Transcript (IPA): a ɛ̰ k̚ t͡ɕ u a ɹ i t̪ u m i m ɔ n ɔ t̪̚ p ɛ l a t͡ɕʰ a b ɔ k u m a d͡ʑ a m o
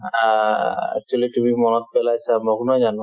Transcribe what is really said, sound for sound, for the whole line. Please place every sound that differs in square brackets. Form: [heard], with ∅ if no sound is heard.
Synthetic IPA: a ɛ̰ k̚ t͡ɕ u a [l] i t̪ u m i m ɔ n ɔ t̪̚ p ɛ l a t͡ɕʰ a [m] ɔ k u [n] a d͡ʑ a [n] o